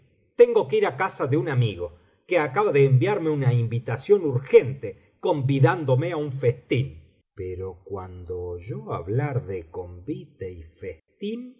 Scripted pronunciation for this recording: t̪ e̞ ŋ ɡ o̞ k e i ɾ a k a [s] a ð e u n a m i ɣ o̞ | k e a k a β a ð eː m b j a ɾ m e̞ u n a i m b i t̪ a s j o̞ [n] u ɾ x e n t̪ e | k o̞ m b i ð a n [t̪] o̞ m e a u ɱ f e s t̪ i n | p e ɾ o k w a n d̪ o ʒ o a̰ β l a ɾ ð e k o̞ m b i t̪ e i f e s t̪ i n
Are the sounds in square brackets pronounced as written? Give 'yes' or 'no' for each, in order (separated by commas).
yes, yes, no